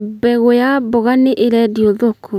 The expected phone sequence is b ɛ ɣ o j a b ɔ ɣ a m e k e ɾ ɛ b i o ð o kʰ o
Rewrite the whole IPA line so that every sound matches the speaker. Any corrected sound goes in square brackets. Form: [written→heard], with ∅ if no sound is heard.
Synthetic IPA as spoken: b ɛ ɣ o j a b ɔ ɣ a [m→n] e [k→ʔ] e ɾ ɛ [b→d] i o ð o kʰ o

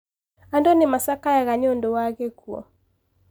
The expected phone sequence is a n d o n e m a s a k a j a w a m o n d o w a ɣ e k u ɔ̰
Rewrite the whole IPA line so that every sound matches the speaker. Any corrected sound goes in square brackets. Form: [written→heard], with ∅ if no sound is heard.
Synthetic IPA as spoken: a n d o n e m a s a k a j a [w→ɣ] a [m→ɲ] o n d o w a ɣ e k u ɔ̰

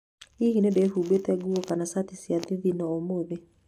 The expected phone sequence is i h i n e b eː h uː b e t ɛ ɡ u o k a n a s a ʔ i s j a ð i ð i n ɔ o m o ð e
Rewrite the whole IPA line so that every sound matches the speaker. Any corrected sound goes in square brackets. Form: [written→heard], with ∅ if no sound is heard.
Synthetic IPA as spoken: i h i n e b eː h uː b e t ɛ ɡ u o k a n a s a [ʔ→t] i s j a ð i ð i n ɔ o m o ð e

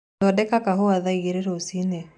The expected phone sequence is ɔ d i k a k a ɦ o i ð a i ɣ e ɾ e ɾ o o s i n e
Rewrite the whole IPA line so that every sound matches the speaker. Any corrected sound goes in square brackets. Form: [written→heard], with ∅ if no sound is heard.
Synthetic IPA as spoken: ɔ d [i→ɛ] k a k a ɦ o [i→a] ð a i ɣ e ɾ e ɾ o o s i n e

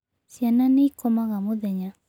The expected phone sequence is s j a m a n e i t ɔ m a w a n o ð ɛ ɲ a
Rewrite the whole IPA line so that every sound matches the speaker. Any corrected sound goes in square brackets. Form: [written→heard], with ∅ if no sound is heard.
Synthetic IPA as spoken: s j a [m→n] a n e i [t→k] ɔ m a [w→ɣ] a [n→m] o ð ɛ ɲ a

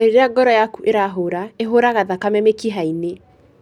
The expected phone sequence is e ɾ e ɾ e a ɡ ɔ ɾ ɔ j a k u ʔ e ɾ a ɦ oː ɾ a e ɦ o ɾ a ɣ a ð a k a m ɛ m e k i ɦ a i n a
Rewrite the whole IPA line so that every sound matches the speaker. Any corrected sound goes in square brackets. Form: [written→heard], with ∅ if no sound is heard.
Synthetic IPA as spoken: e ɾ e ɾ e a ɡ ɔ ɾ ɔ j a k u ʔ e ɾ a ɦ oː ɾ a e ɦ o ɾ a ɣ a ð a k a m ɛ m e k i ɦ a i n [a→e]

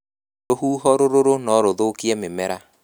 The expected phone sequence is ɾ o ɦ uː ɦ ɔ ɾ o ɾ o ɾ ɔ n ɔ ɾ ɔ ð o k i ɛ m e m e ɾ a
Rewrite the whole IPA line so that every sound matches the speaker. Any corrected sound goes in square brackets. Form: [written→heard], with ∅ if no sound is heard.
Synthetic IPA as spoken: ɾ o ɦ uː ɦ ɔ ɾ o ɾ o ɾ [ɔ→o] n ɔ ɾ [ɔ→o] ð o k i ɛ m e m [e→ɛ] ɾ a

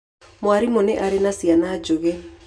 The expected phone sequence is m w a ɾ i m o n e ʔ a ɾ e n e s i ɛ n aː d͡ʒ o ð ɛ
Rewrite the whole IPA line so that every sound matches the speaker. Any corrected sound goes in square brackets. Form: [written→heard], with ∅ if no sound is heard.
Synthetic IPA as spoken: m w a ɾ i m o n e ʔ a ɾ e n [e→a] s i [ɛ→a] n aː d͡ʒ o [ð→ɣ] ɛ

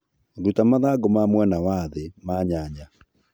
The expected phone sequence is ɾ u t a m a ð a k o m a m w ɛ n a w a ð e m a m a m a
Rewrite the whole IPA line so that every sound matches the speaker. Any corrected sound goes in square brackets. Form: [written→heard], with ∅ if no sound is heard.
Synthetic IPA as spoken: ɾ u t a m a ð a [k→ɡ] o m a m w ɛ n a w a ð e m a [m→ɲ] a [m→ɲ] a

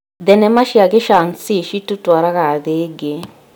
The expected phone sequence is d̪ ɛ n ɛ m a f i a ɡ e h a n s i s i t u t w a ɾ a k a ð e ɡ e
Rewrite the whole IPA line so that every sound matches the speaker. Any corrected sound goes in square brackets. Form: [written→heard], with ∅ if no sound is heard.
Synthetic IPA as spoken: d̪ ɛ n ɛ m a [f→ʃ] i a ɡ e [h→ʃ] a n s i [s→ʃ] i t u t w a ɾ a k a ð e ɡ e

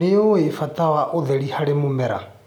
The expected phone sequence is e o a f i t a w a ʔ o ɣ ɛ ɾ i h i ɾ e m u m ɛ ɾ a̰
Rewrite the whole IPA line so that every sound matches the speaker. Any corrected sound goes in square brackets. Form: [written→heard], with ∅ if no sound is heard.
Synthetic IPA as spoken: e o [a→e] f [i→a] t a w a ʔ o [ɣ→ð] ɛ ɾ i h [i→a] ɾ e m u m ɛ ɾ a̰

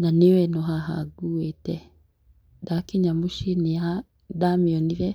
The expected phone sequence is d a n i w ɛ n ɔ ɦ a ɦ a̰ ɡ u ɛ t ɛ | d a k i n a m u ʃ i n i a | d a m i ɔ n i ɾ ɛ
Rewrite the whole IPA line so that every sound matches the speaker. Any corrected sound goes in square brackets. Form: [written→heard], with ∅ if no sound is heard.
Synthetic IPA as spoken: [d→n] a n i w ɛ n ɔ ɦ a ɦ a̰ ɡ u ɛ t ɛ | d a k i [n→ɲ] a m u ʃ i n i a | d a m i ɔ n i ɾ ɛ

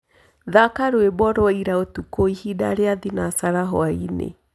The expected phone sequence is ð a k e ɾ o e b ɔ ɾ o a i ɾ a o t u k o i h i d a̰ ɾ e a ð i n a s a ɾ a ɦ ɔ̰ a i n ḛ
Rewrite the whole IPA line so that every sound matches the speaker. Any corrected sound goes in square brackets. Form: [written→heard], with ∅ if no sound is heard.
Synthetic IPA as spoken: ð a k [e→a] ɾ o e b ɔ ɾ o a i ɾ a o t u k o i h i d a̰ ɾ e a ð i n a s a ɾ a ɦ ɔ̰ a i n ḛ

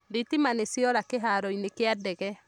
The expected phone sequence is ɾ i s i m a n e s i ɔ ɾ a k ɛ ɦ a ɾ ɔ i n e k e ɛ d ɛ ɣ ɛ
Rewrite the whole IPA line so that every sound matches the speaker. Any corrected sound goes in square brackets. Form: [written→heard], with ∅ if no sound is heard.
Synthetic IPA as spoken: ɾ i [s→t] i m a n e s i ɔ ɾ a k [ɛ→e] ɦ a ɾ ɔ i n e k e [ɛ→a] d ɛ ɣ ɛ

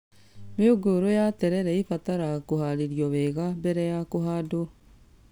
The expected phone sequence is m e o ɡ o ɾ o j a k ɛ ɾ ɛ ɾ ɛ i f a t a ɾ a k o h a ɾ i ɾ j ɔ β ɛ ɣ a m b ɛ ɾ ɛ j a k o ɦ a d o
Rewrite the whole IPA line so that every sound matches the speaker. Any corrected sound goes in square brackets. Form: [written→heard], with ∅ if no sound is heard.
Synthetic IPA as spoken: m e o ɡ o ɾ o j a [k→t] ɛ ɾ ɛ ɾ ɛ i f a t a ɾ a k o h a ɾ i ɾ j ɔ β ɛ ɣ a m b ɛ ɾ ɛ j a k o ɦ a d o

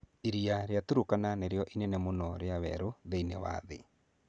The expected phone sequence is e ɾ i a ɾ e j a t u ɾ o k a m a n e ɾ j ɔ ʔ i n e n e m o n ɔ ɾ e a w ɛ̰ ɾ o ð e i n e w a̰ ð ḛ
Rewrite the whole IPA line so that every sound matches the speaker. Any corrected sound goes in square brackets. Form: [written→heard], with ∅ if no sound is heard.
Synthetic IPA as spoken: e ɾ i a ɾ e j a t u ɾ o k a [m→n] a n e ɾ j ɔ ʔ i n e n e m o n ɔ ɾ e a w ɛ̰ ɾ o ð e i n e w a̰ ð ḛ

